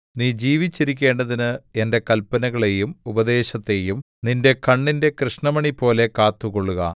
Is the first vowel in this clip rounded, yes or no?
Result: no